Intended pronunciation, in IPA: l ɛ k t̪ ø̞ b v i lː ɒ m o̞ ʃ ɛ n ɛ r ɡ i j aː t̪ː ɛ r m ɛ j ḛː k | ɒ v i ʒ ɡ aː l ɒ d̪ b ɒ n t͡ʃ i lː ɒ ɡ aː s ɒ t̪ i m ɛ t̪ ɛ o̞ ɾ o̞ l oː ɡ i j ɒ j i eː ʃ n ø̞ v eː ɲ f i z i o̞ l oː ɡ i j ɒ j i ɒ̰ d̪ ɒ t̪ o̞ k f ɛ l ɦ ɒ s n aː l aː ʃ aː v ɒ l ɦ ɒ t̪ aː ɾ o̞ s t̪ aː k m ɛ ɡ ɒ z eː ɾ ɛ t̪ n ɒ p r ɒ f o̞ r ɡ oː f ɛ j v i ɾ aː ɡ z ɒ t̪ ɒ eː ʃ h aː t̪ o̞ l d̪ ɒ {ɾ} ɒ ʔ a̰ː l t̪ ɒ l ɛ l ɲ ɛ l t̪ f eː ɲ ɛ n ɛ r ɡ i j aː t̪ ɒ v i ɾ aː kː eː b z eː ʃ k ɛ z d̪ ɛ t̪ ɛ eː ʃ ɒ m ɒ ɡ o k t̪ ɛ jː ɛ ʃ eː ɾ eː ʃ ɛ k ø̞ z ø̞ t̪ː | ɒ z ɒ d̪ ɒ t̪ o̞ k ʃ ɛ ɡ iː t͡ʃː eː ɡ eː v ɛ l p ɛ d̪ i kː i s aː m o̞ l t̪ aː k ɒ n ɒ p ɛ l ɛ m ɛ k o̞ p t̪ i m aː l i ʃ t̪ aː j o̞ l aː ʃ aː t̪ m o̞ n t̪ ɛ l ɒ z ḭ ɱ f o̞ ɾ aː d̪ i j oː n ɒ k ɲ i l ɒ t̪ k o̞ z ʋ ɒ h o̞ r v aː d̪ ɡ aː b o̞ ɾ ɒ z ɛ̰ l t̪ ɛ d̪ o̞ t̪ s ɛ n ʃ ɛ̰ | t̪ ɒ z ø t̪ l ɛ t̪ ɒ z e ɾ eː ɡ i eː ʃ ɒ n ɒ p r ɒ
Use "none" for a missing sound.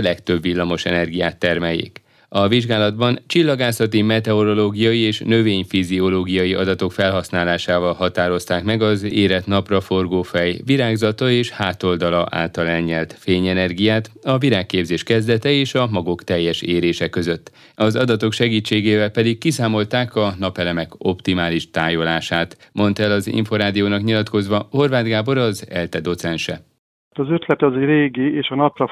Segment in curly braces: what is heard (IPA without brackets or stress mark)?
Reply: l